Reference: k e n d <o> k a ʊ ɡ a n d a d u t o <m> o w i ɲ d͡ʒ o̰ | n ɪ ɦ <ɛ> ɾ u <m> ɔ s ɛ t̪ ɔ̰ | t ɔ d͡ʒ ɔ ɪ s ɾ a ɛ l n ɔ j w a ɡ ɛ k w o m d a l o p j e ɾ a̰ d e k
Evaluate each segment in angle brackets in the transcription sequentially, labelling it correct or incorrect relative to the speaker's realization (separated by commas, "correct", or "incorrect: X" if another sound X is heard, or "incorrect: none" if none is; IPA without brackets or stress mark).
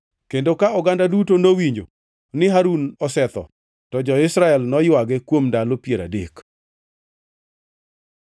correct, incorrect: n, incorrect: a, incorrect: n